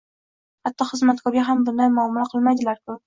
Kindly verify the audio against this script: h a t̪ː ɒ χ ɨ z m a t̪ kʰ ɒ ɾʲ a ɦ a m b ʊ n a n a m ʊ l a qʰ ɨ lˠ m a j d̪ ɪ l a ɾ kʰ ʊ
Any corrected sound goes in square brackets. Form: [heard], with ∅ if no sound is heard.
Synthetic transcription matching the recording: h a t̪ː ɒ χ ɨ z m a t̪ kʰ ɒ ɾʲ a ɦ a m b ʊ n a [m] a m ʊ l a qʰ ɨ lˠ m a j d̪ ɪ l a ɾ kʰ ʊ